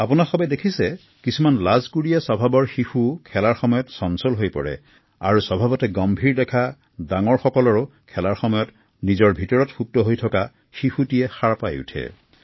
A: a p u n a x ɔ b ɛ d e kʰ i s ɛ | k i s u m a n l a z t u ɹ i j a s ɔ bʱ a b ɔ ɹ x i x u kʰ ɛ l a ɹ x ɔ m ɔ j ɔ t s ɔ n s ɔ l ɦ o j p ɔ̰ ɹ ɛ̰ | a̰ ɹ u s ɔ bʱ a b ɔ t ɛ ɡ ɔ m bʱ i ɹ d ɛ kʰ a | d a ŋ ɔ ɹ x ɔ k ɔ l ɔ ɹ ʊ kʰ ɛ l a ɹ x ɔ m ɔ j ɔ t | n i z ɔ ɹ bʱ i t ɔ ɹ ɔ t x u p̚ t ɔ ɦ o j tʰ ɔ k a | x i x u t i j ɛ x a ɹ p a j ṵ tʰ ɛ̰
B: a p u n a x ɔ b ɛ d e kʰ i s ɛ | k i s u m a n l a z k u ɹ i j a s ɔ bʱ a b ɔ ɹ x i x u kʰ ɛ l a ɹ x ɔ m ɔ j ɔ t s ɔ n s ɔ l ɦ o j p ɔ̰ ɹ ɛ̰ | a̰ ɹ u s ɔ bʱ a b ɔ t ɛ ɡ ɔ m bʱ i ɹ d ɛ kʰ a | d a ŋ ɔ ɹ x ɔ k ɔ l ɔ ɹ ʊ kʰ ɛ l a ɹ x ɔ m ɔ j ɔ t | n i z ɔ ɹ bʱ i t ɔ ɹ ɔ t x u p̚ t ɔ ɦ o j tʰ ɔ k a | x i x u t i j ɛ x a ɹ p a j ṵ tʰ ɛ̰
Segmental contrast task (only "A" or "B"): B